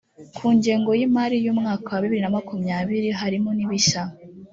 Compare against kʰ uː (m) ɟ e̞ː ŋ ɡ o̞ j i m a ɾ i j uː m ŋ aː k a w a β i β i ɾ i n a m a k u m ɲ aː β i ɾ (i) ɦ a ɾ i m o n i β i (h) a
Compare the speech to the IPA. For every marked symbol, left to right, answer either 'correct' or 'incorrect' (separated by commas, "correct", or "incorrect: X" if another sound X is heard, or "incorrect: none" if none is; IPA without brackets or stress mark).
incorrect: ɲ, correct, incorrect: ʃ